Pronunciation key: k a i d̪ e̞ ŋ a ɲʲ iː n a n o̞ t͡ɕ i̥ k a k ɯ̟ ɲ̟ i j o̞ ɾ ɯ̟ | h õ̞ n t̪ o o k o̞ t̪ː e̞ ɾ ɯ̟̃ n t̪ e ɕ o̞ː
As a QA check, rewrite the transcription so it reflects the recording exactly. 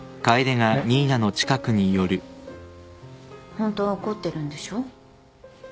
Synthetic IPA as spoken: k a i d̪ e̞ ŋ a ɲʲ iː n a n o̞ t͡ɕ i̥ k a k ɯ̟ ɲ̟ i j o̞ ɾ ɯ̟ | h õ̞ n t̪ o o k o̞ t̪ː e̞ ɾ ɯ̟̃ n d̪ e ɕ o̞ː